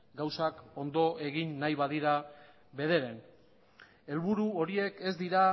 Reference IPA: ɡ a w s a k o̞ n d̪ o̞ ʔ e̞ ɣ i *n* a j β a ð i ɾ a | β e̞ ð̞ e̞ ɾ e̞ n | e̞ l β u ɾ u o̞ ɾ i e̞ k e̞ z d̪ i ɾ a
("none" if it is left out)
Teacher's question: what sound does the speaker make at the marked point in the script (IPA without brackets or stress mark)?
nː